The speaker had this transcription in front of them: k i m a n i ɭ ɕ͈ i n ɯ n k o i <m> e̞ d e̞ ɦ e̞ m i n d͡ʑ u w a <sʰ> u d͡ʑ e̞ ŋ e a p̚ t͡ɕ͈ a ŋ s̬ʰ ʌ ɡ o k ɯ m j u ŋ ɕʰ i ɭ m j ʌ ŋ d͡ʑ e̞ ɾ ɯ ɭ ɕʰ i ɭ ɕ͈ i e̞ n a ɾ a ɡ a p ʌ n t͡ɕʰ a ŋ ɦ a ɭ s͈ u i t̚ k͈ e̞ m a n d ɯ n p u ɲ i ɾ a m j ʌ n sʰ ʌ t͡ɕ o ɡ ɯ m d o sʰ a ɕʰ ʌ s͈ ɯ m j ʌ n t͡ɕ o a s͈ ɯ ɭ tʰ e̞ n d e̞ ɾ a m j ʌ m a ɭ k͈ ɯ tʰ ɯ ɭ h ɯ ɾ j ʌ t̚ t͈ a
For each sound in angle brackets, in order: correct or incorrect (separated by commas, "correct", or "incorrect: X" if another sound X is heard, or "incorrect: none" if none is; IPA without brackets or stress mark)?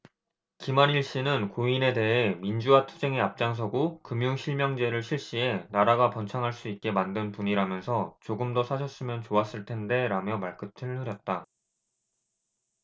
incorrect: n, incorrect: tʰ